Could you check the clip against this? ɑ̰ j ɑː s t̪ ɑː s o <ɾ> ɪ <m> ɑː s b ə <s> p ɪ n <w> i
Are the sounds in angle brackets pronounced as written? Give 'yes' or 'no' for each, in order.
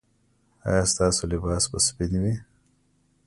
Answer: no, no, yes, yes

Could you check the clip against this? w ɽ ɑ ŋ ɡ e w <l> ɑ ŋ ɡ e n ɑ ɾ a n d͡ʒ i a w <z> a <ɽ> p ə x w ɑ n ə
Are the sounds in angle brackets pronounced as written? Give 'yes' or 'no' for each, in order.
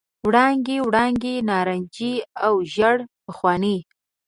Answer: no, no, yes

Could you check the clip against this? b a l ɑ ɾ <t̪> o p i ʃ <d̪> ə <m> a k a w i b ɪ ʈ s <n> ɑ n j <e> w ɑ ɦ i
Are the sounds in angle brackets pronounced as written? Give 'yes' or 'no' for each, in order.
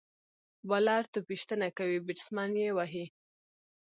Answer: yes, no, no, no, yes

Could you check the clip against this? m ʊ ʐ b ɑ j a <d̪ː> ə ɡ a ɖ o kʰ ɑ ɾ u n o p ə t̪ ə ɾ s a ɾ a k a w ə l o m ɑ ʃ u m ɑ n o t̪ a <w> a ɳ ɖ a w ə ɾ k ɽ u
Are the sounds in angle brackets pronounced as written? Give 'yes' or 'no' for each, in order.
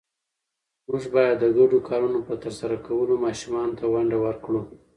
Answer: yes, yes

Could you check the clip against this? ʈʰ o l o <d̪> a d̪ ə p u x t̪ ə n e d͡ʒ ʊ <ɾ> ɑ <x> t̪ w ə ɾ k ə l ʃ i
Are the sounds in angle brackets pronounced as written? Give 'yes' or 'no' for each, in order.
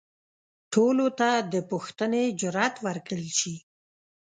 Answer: no, yes, no

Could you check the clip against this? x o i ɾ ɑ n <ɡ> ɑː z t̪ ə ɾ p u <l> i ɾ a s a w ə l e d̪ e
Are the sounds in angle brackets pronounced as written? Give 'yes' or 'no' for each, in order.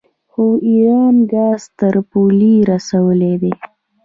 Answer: yes, yes

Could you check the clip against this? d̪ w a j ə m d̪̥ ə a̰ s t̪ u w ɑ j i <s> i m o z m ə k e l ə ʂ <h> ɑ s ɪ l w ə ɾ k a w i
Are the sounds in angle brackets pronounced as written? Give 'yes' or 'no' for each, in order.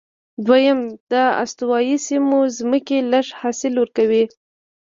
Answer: yes, yes

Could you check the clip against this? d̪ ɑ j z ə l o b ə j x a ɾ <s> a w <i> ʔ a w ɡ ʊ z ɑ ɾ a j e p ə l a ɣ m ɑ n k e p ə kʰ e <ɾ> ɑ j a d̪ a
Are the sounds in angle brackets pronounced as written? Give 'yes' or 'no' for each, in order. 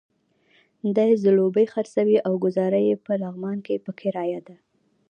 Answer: yes, yes, yes

